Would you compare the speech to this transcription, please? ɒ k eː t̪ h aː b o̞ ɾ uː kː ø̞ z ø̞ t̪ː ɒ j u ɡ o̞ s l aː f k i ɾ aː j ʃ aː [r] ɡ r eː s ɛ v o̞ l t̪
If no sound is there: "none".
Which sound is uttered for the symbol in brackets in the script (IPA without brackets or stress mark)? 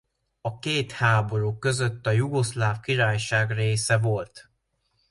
none